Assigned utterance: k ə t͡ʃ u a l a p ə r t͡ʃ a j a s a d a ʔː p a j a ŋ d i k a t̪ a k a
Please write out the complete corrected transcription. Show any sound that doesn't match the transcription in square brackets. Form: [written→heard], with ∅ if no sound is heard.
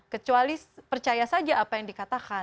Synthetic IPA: k ə t͡ʃ u a l [a→i] p ə r t͡ʃ a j a s a [d→d͡ʒ] a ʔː p a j a ŋ d i k a t̪ a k a